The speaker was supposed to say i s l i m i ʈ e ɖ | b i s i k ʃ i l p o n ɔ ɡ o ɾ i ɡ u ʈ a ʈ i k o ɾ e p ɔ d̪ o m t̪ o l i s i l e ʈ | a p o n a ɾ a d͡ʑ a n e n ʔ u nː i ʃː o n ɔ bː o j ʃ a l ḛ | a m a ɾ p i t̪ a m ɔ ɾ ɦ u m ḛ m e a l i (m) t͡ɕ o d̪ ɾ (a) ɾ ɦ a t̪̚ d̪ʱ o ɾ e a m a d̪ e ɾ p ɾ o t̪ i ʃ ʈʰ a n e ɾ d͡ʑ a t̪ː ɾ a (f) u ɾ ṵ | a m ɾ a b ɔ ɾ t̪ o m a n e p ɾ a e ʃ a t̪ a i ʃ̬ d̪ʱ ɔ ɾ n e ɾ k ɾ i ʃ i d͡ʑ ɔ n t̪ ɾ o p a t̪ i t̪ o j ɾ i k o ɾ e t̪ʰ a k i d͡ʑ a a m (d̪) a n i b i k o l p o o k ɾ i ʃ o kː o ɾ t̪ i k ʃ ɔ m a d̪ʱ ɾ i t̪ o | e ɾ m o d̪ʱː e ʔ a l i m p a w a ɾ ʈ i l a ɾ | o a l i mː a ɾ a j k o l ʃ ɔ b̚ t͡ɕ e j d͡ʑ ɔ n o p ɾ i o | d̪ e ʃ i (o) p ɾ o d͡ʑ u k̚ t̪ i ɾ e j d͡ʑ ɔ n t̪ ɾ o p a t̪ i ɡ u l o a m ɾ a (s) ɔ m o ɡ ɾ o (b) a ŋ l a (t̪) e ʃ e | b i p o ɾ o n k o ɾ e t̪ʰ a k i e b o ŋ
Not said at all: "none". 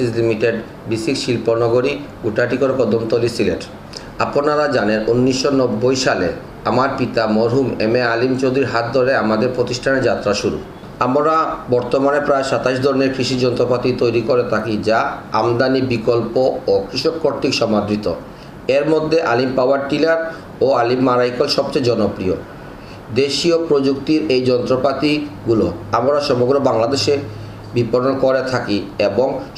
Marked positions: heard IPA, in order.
m, i, ʃ, d̪, o, ʃ, b, d̪

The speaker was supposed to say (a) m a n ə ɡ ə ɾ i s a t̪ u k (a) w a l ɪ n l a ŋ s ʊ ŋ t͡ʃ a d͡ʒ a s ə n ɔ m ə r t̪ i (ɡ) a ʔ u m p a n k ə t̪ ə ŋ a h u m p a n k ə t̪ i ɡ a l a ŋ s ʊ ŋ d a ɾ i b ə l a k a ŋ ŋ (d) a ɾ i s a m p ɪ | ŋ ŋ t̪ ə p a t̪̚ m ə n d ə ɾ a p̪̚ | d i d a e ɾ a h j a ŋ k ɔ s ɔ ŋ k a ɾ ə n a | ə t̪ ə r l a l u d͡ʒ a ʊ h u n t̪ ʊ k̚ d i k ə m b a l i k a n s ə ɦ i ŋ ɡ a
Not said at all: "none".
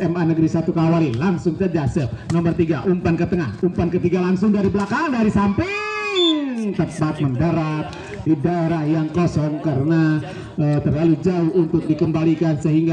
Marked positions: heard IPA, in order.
ɛ, a, ɡ, d

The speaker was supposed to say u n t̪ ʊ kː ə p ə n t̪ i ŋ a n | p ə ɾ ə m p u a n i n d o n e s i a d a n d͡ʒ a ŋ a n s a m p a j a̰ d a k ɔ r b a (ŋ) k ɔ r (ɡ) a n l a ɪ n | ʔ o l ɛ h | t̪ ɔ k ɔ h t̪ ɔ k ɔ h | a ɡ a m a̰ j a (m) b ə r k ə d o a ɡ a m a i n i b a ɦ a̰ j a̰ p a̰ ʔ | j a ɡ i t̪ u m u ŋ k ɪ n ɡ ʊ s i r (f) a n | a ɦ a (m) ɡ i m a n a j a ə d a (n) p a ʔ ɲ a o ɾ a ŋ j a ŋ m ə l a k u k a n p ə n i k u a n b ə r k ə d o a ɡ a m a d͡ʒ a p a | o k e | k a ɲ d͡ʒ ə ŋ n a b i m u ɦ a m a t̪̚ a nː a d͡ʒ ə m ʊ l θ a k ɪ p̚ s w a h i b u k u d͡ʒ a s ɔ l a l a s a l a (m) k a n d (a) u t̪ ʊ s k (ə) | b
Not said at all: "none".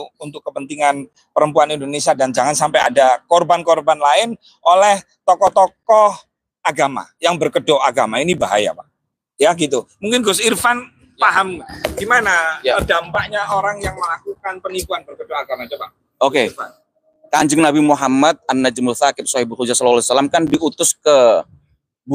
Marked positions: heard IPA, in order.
n, b, ŋ, f, m, m, m, i, ə

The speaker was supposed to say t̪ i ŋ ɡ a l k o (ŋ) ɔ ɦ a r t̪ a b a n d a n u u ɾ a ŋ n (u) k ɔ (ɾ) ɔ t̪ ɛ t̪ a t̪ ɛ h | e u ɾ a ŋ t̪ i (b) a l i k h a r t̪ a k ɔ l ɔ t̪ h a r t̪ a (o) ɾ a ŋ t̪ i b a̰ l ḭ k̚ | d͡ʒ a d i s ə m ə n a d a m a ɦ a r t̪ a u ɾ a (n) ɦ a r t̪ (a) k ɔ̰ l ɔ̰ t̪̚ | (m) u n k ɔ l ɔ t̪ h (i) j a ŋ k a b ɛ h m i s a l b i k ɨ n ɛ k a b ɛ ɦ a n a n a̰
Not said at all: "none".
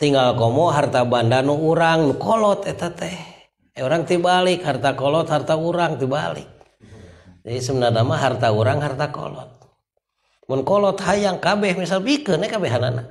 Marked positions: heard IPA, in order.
m, u, l, b, u, ŋ, a, m, a

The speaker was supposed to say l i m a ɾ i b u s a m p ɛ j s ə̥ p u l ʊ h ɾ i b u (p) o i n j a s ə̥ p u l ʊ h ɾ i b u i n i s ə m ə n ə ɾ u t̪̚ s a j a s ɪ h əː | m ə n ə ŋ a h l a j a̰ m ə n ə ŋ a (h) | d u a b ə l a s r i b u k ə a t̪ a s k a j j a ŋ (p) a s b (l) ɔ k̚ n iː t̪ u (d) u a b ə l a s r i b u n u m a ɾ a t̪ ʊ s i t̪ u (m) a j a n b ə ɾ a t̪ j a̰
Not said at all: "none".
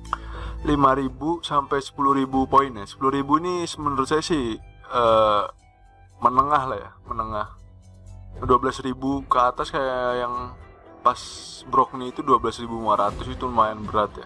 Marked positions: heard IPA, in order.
p, h, p, ɾ, d, m

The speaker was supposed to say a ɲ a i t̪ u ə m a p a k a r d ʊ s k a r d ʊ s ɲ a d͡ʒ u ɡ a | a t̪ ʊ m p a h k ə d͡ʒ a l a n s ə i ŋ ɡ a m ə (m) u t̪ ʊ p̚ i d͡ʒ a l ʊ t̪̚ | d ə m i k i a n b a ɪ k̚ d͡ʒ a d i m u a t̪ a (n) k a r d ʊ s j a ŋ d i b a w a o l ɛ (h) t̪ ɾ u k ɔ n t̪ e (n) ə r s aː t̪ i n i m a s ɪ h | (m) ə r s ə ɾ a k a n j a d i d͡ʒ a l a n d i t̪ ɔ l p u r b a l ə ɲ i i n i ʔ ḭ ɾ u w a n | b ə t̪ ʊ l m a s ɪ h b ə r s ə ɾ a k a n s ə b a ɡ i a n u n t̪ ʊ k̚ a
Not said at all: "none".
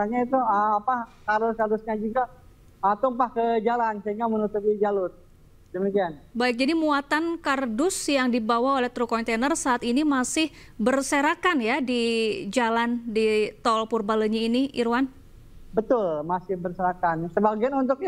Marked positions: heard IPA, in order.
n, n, h, n, b

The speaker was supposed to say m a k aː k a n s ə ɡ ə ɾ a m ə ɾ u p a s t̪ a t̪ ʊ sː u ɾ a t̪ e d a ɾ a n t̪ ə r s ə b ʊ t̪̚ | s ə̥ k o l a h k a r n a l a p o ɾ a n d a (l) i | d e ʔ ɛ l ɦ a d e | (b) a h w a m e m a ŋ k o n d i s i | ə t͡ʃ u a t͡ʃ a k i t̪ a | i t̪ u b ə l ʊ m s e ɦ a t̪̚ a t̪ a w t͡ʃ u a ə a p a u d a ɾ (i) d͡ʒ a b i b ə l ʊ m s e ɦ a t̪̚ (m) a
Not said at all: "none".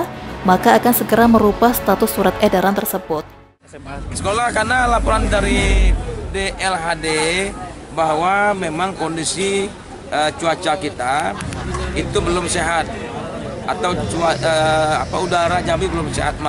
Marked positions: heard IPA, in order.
ɾ, b, a, m

